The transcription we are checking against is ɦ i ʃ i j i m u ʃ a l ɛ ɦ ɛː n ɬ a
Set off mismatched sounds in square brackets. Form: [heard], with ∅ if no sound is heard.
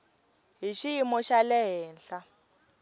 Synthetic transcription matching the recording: ɦ i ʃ i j i m [ɔ] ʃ a l ɛ ɦ ɛː n ɬ a